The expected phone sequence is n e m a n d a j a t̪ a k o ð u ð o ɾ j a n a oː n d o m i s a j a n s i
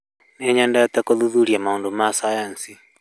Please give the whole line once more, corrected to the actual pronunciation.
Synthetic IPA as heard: n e ɲ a n d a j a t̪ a k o ð u ð u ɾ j a m a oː n d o m a s a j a n s i